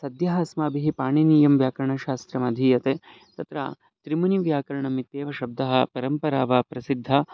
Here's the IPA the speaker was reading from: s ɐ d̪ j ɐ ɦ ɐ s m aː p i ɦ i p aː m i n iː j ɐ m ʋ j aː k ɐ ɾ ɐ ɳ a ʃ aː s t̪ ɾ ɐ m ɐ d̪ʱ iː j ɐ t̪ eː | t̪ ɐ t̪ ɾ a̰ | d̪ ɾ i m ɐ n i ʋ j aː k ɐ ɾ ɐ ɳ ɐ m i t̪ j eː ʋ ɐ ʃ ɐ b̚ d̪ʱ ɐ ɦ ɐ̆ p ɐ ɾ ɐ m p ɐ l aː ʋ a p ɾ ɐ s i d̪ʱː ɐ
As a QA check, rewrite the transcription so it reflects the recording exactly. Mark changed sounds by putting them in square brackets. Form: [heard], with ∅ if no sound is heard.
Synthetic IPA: s ɐ d̪ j ɐ ɦ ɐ s m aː [b] i ɦ i p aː [ɳ] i n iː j ɐ m ʋ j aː k ɐ ɾ ɐ ɳ [ɐ] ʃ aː s t̪ ɾ ɐ m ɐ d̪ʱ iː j ɐ t̪ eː | t̪ ɐ t̪ ɾ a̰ | [t̪] ɾ i m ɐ n i ʋ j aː k ɐ ɾ ɐ ɳ ɐ m i t̪ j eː ʋ ɐ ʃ ɐ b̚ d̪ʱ ɐ ɦ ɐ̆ p ɐ ɾ ɐ m p ɐ [ɾ] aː ʋ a p ɾ ɐ s i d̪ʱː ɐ